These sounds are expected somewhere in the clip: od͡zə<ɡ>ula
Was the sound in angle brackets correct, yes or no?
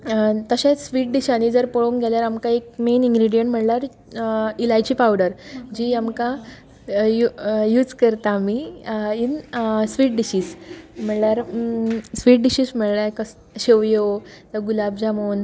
yes